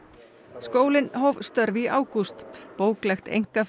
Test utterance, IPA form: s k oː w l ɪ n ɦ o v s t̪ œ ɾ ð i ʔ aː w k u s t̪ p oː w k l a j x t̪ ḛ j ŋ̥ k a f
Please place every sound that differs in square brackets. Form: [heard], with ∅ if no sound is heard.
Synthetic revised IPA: s k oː w l ɪ n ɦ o v s t̪ œ ɾ [v] i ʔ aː w k u s t̪ p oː w k l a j x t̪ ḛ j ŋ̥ k a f